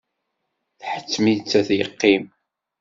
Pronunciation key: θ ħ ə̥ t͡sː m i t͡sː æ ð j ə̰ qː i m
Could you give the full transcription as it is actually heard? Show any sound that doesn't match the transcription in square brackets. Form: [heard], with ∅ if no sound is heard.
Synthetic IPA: θ ħ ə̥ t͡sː m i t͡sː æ [θ] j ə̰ qː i m